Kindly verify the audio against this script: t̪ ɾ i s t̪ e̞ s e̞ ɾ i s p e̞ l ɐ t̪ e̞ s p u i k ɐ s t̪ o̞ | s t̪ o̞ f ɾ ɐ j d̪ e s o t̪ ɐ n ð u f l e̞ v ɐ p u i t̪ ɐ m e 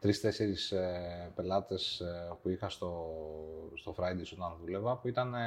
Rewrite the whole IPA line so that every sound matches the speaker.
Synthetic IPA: t̪ ɾ i s t̪ e̞ s e̞ ɾ i s p e̞ l ɐ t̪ e̞ s p u i x ɐ s t̪ o̞ | s t̪ o̞ f ɾ ɐ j d̪ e s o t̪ ɐ n ð u l e̞ v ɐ p u i t̪ ɐ n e